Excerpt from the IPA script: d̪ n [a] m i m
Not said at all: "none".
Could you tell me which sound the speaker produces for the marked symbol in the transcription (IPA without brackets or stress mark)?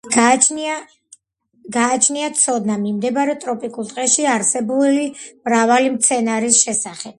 a